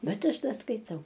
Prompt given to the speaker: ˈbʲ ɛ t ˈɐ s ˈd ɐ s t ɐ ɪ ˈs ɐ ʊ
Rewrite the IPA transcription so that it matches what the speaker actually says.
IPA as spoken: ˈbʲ ɛ t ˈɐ ʃ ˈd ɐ s k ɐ ɪ ˈt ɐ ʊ